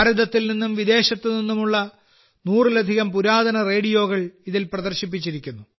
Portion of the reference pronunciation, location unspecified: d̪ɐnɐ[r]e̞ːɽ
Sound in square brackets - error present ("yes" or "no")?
no